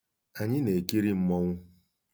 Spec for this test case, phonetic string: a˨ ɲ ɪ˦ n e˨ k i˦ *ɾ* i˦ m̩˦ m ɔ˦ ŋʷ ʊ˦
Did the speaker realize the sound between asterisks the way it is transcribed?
yes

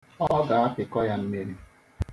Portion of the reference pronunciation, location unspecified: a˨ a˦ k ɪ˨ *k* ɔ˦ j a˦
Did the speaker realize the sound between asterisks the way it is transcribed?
yes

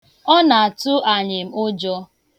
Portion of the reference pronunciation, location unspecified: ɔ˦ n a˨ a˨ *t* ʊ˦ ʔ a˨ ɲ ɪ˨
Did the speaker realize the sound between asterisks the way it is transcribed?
yes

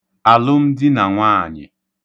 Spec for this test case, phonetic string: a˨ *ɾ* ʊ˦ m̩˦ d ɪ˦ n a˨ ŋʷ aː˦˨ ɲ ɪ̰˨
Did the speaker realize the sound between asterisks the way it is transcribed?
no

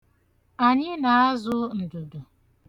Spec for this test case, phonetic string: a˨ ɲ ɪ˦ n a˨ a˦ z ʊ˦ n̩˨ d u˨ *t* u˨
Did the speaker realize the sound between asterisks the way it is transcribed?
no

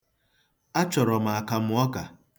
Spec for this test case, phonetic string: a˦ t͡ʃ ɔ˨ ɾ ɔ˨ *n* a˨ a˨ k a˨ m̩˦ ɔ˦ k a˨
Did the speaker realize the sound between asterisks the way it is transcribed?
no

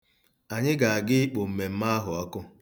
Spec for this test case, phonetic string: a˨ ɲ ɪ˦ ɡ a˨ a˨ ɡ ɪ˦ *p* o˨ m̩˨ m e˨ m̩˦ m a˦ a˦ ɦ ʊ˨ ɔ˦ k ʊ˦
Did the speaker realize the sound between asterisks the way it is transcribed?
no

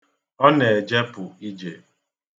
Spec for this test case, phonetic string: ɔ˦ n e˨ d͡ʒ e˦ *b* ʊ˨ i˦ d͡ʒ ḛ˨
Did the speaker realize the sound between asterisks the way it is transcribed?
no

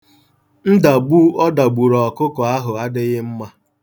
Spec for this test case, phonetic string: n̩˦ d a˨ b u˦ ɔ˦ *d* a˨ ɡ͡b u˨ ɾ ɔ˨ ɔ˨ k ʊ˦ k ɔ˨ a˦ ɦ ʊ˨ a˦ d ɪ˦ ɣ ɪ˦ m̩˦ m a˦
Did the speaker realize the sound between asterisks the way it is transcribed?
yes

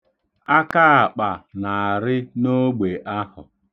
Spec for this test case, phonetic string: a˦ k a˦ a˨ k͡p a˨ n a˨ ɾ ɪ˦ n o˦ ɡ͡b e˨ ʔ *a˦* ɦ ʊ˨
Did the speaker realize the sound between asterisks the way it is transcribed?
yes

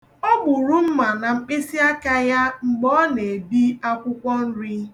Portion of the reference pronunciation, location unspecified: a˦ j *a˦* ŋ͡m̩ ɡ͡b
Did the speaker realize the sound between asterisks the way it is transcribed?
yes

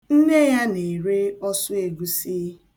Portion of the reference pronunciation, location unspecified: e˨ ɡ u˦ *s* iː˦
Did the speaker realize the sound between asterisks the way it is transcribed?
yes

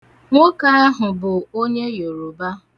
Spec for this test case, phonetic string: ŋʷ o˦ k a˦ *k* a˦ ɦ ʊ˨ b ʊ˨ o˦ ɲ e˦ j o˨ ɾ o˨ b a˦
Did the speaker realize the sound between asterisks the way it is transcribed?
no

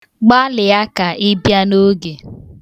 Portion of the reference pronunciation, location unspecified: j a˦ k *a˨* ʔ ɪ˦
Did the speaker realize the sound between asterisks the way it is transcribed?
yes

